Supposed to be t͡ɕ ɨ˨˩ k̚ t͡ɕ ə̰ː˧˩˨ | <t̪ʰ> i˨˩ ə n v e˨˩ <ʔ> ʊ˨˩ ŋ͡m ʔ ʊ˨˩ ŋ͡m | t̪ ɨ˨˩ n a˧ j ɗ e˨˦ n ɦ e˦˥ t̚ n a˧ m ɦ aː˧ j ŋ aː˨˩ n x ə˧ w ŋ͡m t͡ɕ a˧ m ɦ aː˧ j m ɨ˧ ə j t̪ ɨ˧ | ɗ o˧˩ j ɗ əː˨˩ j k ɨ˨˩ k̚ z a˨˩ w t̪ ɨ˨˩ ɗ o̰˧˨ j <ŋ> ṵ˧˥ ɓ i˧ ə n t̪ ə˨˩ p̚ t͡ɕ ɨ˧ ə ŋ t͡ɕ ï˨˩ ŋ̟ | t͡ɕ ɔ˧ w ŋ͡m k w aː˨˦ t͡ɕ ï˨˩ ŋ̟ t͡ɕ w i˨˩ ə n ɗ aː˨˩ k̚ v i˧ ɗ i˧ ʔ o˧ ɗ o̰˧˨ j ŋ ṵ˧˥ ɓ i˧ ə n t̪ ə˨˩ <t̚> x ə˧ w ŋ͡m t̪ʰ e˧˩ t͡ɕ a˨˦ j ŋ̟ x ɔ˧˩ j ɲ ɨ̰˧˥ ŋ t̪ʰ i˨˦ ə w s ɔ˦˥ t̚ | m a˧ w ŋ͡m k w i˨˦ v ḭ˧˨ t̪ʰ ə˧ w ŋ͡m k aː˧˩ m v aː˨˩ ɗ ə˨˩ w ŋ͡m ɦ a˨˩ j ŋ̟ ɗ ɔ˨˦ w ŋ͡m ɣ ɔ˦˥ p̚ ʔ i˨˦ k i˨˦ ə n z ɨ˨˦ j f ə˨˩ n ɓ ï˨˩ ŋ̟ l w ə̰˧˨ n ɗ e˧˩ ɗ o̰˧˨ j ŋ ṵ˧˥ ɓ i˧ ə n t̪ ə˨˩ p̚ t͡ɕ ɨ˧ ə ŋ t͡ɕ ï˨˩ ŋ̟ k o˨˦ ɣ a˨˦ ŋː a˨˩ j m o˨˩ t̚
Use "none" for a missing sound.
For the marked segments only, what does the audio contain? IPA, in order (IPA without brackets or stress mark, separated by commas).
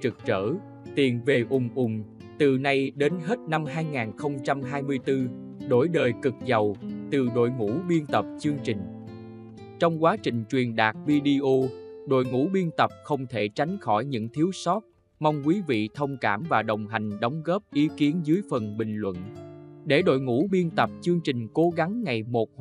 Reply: t̪, ʔ, ŋ, p̚